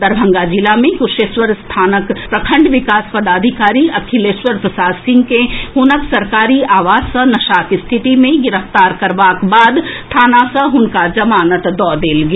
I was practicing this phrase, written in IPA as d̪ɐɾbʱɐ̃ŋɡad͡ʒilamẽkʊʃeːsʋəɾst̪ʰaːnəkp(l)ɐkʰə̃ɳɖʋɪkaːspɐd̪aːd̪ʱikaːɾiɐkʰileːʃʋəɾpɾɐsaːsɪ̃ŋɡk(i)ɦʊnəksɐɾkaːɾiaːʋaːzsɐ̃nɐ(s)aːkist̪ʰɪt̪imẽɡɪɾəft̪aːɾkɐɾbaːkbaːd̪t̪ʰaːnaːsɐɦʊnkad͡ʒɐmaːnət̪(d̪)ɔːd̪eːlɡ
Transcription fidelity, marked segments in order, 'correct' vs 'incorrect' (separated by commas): incorrect, incorrect, incorrect, correct